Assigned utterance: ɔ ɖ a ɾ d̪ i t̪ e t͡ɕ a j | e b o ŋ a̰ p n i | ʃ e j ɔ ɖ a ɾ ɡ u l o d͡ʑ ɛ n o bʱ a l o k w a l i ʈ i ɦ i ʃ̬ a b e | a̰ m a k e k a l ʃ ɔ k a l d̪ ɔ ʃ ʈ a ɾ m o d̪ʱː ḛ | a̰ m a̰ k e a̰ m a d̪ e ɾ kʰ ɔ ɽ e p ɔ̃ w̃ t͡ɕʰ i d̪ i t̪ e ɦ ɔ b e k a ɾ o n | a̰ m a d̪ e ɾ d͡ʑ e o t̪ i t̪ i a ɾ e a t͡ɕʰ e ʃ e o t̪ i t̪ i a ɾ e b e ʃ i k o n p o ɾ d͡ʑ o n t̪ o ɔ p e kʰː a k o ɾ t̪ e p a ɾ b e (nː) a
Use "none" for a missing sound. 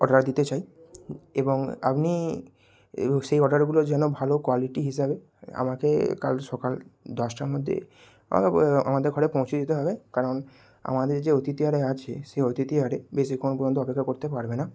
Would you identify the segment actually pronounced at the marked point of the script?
n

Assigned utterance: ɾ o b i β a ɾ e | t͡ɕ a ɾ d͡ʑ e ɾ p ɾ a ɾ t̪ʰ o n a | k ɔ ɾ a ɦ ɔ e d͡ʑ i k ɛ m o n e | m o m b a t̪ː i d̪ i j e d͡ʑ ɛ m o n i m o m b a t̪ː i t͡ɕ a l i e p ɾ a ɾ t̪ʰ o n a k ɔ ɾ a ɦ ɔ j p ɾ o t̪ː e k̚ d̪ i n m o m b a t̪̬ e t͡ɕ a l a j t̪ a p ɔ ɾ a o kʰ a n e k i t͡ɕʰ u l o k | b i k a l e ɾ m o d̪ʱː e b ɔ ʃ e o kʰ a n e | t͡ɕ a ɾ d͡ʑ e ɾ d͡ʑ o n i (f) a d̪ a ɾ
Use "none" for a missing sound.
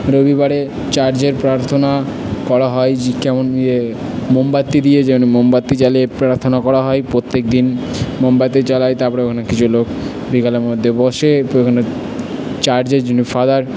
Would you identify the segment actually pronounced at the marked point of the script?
f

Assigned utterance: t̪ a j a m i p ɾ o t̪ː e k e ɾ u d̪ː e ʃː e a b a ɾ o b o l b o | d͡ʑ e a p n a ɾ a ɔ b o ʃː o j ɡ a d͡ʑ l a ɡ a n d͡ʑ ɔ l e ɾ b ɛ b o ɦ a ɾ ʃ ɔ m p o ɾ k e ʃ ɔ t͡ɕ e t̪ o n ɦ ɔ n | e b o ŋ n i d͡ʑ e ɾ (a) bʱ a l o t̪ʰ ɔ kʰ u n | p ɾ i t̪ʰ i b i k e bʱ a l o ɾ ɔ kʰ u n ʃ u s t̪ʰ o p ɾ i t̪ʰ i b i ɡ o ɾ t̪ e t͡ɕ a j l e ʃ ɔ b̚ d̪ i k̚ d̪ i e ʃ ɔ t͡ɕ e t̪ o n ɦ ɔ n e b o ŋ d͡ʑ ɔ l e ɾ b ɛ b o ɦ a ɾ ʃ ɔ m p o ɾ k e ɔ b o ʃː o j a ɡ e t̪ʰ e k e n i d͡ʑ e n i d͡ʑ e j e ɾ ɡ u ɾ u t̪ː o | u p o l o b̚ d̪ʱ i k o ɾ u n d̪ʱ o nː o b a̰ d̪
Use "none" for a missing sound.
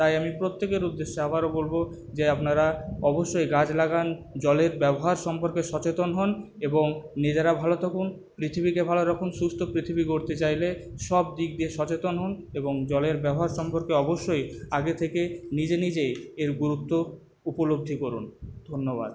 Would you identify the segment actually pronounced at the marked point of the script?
a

